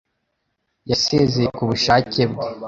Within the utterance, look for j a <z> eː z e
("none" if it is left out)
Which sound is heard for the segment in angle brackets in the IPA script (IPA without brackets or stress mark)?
s